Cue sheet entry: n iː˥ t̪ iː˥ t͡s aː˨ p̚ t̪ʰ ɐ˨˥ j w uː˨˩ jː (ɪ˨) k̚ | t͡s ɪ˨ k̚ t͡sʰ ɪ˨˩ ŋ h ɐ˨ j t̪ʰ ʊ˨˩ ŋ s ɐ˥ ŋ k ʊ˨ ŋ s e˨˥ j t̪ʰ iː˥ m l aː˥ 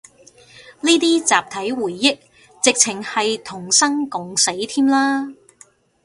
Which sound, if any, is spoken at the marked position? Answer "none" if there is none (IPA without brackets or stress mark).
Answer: ɪ˥